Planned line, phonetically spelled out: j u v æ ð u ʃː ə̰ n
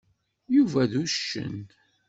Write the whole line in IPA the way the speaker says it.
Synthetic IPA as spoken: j u v æ ð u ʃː ə̰ n